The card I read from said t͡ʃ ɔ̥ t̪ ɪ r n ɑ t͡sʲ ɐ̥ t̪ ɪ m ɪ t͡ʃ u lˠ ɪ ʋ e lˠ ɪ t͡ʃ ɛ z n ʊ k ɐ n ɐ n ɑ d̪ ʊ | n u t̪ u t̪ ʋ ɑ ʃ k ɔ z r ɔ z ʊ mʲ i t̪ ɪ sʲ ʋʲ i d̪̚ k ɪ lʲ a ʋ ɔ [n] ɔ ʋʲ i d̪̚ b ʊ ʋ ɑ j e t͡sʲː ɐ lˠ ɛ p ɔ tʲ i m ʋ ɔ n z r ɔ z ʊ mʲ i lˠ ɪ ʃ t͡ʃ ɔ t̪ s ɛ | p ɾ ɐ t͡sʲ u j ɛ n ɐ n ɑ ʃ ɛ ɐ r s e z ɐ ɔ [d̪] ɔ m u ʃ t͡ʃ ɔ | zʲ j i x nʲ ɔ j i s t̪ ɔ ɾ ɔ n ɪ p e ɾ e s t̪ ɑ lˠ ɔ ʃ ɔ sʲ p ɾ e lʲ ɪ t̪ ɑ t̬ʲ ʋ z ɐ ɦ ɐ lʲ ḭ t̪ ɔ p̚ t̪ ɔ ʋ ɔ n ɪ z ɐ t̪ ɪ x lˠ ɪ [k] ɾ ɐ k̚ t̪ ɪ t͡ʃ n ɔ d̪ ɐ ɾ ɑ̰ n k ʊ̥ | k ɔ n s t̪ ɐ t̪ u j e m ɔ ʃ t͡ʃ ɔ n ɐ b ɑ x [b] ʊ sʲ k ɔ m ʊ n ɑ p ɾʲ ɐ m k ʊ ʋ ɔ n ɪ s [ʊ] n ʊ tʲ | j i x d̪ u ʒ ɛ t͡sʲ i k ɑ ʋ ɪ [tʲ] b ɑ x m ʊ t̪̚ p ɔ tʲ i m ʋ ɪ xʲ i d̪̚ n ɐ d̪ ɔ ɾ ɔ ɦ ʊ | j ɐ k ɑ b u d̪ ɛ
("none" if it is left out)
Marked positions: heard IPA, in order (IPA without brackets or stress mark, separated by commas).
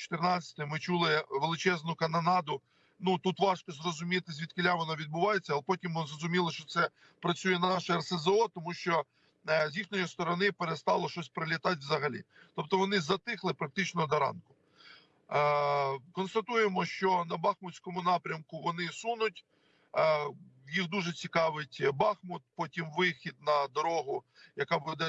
n, t̪, p, m, u, tʲ